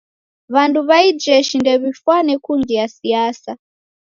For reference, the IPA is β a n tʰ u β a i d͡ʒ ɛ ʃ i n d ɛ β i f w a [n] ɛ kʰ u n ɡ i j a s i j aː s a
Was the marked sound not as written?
no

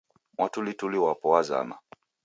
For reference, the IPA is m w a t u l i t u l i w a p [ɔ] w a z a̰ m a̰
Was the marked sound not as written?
no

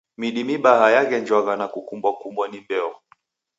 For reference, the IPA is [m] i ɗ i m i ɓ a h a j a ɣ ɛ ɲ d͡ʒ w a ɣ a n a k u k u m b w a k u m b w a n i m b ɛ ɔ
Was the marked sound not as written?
no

